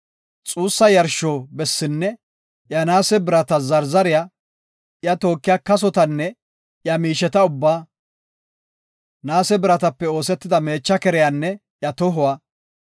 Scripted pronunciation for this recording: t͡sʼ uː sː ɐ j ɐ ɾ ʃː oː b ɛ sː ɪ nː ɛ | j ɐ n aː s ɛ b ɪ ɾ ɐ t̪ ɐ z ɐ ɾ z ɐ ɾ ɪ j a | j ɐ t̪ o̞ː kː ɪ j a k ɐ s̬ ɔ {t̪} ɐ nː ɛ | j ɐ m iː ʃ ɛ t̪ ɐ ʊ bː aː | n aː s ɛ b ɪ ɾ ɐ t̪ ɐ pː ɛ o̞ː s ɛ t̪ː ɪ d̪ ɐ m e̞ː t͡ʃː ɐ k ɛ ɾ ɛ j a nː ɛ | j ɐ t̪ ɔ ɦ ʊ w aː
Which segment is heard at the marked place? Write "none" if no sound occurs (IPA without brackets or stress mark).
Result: t̪